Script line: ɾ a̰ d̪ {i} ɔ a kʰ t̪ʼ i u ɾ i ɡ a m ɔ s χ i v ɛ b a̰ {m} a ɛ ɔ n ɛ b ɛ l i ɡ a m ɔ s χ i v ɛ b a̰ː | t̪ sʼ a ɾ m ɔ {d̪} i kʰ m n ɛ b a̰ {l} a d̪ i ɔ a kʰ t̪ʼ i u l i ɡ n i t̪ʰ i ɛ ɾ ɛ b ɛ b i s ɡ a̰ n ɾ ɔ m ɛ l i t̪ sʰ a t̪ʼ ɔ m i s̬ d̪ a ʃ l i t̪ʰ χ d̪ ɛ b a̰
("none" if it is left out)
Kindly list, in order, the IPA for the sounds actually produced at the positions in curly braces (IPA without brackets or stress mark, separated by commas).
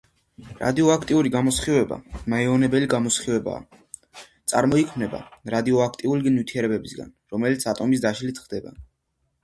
i, m, none, ɾ